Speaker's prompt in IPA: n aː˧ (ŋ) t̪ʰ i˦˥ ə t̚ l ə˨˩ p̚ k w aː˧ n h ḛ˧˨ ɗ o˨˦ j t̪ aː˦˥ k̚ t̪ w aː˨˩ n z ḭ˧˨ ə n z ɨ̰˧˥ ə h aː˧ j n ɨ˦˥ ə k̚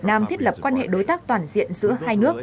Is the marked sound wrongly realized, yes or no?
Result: yes